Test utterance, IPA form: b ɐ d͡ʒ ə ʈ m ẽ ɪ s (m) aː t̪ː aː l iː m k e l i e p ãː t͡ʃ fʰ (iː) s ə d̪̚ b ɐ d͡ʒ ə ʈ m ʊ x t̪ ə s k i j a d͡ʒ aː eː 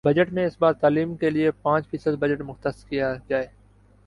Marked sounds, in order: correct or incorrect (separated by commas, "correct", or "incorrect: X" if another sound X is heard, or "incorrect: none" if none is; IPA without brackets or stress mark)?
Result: incorrect: b, correct